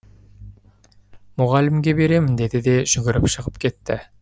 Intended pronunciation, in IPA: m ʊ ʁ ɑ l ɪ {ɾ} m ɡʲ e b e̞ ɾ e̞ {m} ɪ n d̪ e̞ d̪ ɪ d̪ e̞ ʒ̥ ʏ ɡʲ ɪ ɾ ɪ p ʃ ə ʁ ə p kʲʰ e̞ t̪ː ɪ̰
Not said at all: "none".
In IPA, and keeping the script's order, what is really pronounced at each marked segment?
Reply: none, m

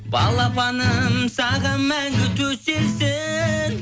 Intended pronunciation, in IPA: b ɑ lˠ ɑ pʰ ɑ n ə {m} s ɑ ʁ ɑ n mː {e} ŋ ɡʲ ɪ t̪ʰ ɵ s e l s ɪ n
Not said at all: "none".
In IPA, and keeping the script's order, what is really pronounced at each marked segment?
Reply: m, æ

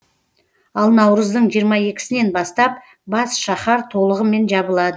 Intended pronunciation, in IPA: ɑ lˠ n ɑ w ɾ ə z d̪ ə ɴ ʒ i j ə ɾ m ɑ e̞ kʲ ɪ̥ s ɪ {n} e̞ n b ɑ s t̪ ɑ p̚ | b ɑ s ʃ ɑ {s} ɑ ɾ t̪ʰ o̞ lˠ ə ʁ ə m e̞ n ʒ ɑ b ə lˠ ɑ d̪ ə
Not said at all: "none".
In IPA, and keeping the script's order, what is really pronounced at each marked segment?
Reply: n, χ

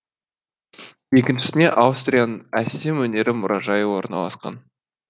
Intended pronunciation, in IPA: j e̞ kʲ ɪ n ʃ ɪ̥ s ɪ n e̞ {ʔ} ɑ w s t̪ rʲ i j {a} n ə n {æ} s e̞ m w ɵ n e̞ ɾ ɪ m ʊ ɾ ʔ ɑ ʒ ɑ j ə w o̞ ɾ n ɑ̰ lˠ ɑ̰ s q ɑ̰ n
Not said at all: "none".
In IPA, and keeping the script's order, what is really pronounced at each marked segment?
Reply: ʔ, a, æ

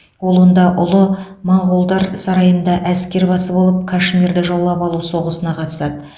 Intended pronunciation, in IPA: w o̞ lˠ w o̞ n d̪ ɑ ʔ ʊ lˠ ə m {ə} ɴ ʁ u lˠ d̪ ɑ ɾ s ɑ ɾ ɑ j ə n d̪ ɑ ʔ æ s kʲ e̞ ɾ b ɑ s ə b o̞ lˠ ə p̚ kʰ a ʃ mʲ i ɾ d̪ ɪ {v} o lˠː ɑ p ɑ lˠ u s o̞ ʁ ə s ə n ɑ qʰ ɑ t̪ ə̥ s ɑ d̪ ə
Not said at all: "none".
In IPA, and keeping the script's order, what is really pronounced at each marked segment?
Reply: ɑ, ʒ

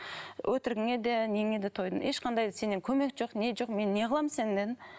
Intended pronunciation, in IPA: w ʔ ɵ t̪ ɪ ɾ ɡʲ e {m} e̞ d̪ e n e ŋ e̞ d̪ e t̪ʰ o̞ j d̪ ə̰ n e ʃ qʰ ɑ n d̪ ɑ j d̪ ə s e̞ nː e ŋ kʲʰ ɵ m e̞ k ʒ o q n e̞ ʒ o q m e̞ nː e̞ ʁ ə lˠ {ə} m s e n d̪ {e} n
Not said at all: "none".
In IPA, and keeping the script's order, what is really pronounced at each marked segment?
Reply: ŋ, ɑ, e

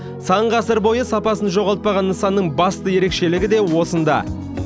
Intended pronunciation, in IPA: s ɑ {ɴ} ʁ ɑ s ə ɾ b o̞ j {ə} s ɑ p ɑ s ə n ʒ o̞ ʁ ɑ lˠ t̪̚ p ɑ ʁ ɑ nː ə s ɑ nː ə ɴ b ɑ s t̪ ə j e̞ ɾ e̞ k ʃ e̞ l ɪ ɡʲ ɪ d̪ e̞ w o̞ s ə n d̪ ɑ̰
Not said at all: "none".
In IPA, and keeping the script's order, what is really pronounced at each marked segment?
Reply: ɴ, ə

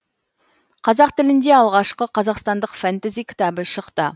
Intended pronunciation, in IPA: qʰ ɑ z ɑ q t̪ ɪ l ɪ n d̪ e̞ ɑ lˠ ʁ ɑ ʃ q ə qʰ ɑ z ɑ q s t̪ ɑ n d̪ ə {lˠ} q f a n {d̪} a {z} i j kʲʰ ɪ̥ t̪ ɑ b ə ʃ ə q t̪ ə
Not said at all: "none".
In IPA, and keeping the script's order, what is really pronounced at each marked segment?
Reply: none, t̪, z

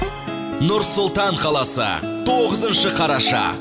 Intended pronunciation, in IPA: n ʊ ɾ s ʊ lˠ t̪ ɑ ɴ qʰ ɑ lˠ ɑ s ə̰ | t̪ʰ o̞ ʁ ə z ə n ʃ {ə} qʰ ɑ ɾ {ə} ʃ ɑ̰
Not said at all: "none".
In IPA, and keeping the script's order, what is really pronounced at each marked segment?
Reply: ə, ɑ

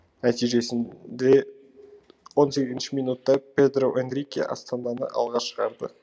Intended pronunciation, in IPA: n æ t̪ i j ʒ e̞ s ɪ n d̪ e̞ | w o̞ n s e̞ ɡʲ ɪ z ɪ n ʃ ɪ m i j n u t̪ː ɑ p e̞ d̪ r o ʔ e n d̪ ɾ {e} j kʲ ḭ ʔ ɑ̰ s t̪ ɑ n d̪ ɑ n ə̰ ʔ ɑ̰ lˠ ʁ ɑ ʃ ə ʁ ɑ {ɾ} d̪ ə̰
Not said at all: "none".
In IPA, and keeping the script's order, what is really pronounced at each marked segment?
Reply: i, ɾ

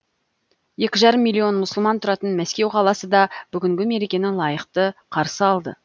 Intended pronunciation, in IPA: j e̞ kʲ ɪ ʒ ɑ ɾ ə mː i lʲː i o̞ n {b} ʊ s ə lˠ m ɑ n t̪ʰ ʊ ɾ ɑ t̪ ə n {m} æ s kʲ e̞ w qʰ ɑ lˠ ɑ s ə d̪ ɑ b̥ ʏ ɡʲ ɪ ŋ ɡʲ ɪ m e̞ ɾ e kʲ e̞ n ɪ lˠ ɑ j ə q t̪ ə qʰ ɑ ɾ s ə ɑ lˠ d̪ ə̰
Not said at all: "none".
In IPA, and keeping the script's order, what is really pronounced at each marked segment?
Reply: m, m

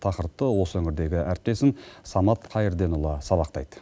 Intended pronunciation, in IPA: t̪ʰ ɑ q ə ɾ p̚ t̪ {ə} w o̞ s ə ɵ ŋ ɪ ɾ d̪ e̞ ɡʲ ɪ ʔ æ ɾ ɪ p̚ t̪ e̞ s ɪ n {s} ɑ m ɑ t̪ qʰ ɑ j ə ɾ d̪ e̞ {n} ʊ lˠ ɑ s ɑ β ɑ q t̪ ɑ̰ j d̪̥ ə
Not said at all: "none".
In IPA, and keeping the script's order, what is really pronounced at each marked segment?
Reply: ə, s, n

